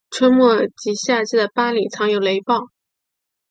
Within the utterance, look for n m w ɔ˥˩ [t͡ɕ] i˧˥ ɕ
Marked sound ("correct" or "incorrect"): correct